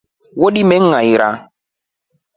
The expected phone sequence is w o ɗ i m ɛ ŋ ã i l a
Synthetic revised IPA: w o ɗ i m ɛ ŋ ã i ɾ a